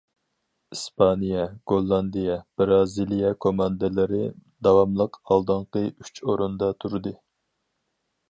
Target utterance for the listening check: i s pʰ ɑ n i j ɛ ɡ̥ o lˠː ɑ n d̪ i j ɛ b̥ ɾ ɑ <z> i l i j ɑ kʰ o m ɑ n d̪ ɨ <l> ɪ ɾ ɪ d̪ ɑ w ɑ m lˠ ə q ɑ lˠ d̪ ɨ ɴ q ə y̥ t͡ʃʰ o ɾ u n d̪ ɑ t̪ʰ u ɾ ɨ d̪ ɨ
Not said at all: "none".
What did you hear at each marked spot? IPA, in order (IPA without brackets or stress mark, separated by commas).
z, l